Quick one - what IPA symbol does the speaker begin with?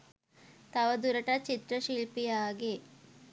t̪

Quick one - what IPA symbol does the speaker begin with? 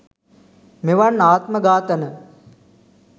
m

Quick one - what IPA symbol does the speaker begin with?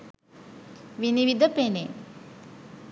ʋ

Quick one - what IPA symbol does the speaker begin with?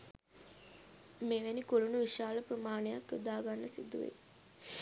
m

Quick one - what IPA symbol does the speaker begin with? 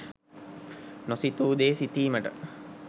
n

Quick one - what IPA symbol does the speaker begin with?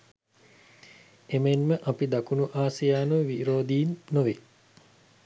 e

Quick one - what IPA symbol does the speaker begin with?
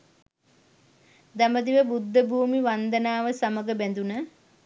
d̪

